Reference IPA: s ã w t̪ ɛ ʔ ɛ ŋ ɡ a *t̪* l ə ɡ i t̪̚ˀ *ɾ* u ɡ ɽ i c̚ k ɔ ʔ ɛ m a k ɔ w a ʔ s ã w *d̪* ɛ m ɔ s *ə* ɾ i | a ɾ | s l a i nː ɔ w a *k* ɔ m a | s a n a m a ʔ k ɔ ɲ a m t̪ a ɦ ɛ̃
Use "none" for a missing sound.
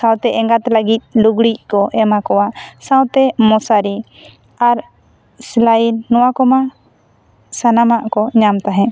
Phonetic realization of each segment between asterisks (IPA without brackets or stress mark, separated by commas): t̪, l, t̪, a, k